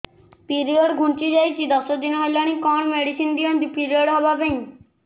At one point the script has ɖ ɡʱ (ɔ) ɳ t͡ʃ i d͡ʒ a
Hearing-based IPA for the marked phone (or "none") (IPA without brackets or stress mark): u